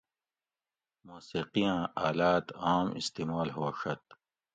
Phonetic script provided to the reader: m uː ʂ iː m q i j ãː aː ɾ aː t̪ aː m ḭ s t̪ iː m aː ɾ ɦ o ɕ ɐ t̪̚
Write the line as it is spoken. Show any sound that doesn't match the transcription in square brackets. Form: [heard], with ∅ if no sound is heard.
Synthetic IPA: m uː [s] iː [∅] q i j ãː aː [l] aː t̪ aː m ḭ s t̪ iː m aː [l] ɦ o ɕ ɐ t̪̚